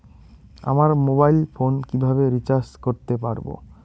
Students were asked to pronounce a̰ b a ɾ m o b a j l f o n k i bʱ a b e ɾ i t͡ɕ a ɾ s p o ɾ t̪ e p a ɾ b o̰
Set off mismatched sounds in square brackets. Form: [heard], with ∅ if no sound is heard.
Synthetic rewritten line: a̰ [m] a ɾ m o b a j l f o n k i bʱ a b e ɾ i t͡ɕ a ɾ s [k] o ɾ t̪ e p a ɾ b o̰